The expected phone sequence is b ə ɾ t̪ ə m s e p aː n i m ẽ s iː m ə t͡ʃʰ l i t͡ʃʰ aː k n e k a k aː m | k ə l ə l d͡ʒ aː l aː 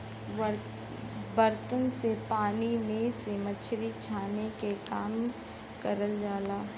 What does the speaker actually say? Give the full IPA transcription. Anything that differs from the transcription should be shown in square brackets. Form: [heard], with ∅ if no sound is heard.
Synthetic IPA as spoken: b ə ɾ t̪ ə [n] s e p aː n i m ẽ s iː m ə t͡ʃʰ [ɾ] i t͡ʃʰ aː [∅] n e k [e] k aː m | k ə [ɾ] ə l d͡ʒ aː l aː